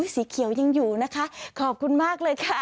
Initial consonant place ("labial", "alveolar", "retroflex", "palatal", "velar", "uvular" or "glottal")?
alveolar